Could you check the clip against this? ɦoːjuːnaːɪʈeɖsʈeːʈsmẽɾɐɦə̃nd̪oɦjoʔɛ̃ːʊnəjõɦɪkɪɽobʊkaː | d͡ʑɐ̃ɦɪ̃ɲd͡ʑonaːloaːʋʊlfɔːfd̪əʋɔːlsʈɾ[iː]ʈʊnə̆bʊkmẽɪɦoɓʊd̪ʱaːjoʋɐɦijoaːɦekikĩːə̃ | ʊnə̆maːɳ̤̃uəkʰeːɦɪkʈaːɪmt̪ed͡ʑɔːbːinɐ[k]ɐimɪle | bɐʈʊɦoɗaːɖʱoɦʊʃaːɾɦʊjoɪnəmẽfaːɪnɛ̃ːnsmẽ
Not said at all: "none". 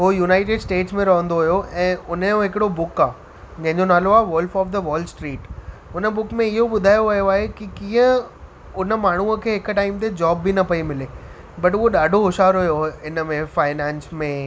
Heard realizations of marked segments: iː, p

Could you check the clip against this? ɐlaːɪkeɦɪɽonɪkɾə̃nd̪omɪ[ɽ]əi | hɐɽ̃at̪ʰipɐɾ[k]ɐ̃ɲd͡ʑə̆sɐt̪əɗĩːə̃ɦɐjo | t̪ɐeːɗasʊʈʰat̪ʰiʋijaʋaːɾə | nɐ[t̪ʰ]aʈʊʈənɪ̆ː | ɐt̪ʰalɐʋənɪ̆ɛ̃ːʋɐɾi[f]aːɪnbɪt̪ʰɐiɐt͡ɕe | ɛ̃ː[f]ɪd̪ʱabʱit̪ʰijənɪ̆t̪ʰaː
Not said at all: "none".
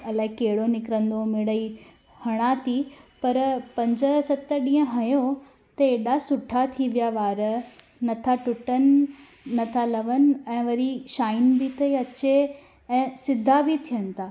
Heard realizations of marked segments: ɽ, p, t̪ʰ, ʃ, s

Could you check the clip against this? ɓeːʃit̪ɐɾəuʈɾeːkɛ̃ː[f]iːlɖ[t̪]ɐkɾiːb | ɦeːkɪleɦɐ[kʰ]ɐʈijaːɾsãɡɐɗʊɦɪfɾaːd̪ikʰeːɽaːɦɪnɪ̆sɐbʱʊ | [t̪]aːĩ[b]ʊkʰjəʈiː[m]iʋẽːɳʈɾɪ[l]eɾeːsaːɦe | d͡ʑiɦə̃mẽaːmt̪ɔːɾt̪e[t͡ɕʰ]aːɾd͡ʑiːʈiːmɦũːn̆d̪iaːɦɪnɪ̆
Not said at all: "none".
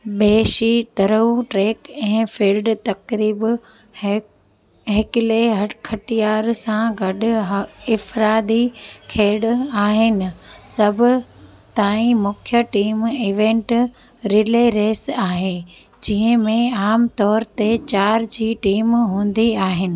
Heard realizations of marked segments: f, t̪, kʰ, t̪, m, m, l, t͡ɕ

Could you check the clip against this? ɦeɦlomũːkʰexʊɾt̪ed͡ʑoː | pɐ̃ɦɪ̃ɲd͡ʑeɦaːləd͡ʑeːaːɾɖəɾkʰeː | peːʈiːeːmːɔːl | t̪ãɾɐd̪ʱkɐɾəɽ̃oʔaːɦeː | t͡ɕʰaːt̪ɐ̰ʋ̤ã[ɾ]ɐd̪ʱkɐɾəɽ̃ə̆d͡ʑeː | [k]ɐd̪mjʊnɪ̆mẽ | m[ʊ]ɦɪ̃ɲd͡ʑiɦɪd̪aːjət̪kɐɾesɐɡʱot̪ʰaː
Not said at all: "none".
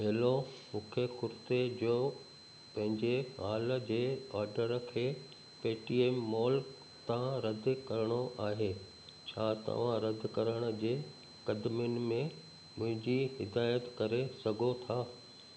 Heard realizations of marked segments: ɾ, k, ʊ̃

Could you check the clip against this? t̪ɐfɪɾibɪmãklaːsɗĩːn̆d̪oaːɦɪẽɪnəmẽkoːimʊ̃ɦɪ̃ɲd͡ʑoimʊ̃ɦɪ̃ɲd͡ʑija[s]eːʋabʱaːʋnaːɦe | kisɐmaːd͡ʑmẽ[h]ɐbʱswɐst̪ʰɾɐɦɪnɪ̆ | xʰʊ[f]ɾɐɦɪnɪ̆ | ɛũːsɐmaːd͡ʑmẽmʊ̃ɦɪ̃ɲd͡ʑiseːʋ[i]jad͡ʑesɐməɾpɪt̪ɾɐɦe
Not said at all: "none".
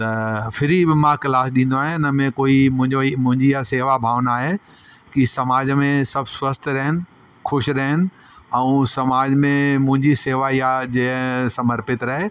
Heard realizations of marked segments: s, s, ʃ, a

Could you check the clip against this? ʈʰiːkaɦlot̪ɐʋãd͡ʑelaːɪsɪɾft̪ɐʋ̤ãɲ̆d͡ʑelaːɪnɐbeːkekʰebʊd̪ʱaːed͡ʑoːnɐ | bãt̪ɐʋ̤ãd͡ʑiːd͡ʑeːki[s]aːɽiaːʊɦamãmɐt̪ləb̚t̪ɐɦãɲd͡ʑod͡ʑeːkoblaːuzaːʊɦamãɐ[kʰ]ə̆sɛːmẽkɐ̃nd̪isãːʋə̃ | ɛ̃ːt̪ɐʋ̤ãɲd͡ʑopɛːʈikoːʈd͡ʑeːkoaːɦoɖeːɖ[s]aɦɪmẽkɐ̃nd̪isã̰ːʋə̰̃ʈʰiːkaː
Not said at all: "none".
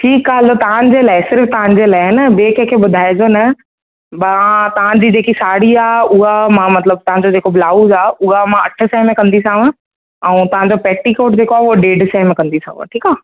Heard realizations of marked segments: s, ʈʰ, s

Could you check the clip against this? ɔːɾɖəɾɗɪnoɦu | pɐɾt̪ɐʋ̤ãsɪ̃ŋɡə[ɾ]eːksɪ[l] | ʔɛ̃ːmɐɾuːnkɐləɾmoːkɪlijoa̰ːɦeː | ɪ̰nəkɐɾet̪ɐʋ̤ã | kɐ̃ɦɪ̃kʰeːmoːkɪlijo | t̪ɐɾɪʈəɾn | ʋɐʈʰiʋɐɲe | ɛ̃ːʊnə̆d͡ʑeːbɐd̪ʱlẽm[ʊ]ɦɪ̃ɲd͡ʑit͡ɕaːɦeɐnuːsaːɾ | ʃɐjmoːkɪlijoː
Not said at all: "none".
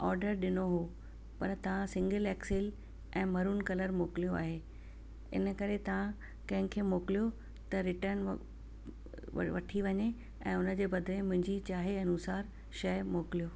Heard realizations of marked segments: l, l, ʊ̃

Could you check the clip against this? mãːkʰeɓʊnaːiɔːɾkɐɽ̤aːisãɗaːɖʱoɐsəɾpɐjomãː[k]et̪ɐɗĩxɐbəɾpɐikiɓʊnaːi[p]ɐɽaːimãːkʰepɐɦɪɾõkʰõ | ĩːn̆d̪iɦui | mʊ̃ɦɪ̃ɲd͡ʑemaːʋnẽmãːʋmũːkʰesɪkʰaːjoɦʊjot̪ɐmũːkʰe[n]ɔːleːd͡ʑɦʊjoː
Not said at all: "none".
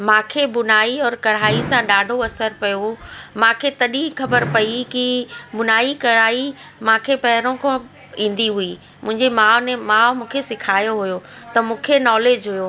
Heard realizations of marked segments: kʰ, k, n

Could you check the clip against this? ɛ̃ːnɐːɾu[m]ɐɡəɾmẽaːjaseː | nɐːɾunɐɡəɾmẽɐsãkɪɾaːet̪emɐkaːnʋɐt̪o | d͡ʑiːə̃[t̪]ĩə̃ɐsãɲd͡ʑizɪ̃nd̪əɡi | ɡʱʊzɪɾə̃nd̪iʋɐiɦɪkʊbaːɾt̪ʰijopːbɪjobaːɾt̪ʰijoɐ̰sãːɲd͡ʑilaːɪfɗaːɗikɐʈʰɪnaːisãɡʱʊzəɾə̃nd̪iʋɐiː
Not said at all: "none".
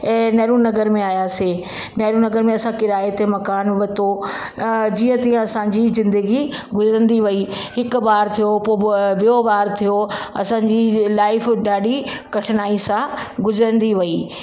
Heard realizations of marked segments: n, t̪

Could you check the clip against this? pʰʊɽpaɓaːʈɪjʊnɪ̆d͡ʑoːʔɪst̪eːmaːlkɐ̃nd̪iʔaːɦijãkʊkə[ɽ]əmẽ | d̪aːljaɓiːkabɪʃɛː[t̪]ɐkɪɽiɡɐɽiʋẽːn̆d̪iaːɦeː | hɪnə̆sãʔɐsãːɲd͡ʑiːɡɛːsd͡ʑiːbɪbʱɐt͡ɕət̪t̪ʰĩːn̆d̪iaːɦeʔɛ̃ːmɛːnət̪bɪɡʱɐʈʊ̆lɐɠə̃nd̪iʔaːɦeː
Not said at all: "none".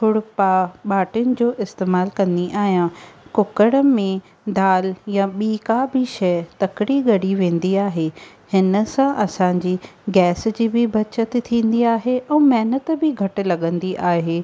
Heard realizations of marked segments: ɽ, t̪

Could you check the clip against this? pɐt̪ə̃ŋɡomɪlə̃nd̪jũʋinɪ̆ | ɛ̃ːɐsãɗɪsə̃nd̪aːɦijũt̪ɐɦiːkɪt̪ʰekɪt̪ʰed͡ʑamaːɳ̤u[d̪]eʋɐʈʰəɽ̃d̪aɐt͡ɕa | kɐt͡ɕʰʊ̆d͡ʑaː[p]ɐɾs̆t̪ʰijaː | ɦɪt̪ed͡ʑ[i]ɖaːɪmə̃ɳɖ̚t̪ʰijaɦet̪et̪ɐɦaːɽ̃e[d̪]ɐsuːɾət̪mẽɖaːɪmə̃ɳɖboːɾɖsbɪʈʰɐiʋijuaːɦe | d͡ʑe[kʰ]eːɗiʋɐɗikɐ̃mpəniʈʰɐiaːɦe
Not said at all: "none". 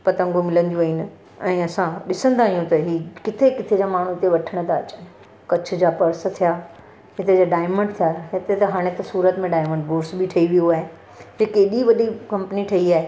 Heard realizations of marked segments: t̪, p, a, t̪, k

